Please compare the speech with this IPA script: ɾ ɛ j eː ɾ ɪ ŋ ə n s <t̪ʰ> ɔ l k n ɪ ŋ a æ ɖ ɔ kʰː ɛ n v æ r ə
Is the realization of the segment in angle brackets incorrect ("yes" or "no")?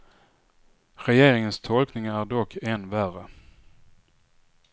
no